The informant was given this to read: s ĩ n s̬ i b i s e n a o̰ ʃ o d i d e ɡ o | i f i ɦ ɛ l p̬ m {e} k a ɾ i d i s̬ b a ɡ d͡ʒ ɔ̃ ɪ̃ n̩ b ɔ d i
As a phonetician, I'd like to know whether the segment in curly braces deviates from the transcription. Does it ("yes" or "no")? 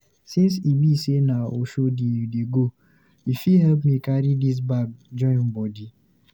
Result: yes